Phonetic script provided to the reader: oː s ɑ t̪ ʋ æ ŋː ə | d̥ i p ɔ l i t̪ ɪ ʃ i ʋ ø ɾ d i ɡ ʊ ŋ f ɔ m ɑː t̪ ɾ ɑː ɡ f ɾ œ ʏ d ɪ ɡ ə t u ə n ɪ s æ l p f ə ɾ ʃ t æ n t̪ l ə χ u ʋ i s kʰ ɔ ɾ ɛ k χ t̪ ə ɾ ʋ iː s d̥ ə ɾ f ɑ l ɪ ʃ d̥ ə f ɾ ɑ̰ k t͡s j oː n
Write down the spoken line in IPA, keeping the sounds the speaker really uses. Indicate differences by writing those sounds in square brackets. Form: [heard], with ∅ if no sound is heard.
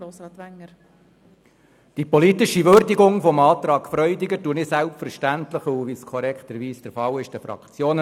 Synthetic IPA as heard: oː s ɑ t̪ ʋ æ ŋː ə | d̥ i p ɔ l i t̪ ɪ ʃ i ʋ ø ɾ d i ɡ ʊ ŋ f ɔ m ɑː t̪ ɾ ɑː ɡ f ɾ œ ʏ d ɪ ɡ ə t u ə n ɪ s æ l p f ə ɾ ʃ t æ n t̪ l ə χ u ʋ i s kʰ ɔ ɾ ɛ k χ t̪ ə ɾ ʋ iː s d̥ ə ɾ f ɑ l ɪ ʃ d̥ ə f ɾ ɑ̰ k t͡s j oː n